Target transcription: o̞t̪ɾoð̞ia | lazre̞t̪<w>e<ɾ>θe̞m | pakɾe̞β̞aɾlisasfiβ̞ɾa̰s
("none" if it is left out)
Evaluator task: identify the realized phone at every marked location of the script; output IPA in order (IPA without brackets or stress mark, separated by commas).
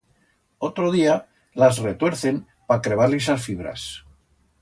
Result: w, ɾ